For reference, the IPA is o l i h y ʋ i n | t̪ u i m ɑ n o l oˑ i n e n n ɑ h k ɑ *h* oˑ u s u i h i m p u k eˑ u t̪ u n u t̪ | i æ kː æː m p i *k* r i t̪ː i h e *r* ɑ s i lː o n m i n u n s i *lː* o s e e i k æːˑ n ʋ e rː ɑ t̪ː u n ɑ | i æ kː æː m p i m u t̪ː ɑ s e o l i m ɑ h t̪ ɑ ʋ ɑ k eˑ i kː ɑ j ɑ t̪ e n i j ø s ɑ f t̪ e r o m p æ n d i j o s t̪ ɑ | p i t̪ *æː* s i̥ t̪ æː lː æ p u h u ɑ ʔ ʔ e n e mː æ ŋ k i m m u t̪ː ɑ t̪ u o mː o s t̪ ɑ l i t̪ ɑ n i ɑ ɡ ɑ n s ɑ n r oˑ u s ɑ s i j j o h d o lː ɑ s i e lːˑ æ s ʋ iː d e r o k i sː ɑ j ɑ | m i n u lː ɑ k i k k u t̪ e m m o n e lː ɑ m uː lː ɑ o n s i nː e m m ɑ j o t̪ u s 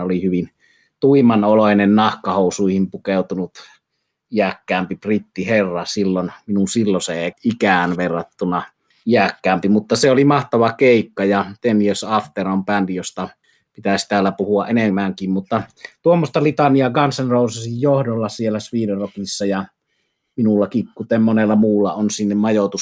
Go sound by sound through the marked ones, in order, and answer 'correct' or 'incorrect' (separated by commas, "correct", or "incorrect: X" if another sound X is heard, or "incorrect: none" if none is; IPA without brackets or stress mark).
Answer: correct, incorrect: p, incorrect: rː, correct, incorrect: æ